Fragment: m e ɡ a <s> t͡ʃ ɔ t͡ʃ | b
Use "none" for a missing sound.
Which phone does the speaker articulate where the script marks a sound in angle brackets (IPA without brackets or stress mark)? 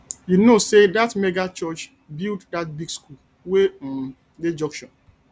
none